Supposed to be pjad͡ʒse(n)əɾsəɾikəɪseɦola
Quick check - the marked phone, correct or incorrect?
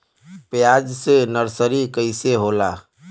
correct